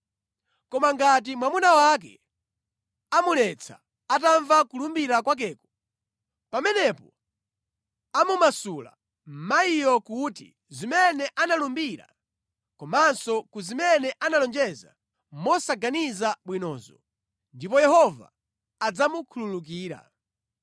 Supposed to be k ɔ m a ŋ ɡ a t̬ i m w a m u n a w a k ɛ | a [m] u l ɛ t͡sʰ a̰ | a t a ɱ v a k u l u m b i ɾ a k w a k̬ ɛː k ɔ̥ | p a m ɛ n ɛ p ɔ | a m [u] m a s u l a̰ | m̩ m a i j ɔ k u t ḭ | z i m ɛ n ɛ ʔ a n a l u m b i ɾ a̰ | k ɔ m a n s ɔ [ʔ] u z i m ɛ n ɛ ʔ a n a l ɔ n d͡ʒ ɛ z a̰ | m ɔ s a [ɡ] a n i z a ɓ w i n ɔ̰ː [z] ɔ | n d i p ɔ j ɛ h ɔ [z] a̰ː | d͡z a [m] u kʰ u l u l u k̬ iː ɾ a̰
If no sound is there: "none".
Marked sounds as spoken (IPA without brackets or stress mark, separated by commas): m, u, k, ɡ, z, v, m